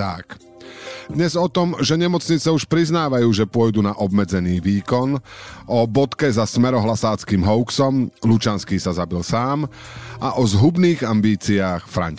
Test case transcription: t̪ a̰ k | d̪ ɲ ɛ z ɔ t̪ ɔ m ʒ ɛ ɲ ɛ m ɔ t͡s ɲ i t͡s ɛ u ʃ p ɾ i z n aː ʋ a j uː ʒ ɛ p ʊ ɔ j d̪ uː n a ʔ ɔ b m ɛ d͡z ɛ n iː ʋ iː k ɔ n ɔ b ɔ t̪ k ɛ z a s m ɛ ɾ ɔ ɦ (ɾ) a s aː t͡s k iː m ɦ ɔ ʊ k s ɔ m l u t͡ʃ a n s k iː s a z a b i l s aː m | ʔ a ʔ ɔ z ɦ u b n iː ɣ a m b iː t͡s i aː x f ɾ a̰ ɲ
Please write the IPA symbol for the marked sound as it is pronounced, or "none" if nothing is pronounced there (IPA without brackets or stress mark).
l